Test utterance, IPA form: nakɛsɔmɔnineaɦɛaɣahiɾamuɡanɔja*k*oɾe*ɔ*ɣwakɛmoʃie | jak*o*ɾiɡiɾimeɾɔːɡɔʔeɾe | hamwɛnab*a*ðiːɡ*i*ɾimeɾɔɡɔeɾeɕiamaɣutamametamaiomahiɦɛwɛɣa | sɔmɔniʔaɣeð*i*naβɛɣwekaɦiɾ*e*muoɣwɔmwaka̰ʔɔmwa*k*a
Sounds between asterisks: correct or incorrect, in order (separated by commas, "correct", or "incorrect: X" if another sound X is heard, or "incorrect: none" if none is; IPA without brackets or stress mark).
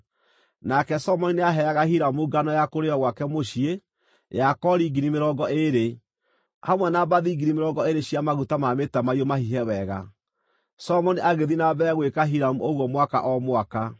correct, correct, incorrect: ɔ, correct, correct, correct, incorrect: a, correct